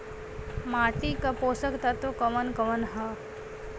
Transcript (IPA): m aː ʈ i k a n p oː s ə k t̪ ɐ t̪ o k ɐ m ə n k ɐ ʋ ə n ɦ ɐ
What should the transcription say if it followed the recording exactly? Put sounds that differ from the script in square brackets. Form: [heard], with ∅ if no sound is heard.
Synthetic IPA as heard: m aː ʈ i k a [∅] p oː s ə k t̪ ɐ t̪ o k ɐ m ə n k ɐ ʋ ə n ɦ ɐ